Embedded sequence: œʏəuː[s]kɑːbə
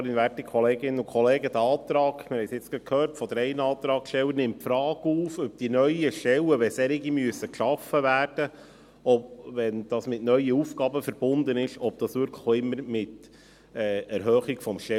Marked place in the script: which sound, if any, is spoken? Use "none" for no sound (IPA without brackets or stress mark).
f